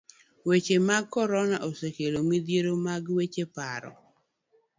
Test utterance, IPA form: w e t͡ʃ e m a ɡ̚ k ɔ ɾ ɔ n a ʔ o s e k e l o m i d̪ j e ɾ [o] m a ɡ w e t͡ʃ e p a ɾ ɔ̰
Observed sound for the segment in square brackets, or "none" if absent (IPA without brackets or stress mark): o